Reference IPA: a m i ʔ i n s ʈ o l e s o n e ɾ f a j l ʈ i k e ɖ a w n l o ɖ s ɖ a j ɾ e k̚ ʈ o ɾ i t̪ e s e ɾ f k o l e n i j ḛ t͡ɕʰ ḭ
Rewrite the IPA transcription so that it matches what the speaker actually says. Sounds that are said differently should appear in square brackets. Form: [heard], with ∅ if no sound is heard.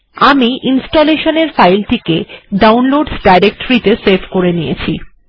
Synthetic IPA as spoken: a m i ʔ i n s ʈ o l e [ʃ] o n e ɾ f a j l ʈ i k e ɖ a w n l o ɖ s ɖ a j ɾ e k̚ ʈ o ɾ i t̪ e s e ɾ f k o [ɾ] e n i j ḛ t͡ɕʰ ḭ